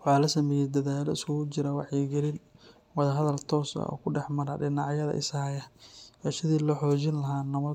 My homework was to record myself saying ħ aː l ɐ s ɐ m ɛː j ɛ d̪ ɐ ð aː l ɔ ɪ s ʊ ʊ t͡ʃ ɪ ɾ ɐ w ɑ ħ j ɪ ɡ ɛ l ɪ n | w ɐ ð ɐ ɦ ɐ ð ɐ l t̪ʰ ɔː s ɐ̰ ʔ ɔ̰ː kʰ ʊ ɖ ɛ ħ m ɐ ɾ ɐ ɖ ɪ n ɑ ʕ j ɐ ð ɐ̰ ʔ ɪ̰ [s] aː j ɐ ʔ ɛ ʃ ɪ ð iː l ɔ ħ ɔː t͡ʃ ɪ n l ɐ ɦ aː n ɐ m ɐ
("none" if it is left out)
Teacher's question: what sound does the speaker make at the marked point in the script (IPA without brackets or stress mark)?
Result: s